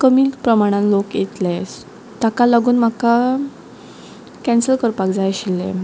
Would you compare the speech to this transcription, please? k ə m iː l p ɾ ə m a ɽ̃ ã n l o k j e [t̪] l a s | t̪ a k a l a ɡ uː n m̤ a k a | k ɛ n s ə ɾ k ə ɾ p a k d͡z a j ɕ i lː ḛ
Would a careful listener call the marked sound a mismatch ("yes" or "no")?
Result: no